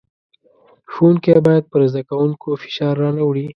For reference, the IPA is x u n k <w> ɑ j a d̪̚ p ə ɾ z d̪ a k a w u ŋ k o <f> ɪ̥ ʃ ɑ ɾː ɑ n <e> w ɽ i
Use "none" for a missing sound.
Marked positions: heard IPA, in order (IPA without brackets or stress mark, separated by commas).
b, f, a